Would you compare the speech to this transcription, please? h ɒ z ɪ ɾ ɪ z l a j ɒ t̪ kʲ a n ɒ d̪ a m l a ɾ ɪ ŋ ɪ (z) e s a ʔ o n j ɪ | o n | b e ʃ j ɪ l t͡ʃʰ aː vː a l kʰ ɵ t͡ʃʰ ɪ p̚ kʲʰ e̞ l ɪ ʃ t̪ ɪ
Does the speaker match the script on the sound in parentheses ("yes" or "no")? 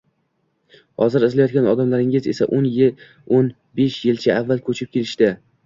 yes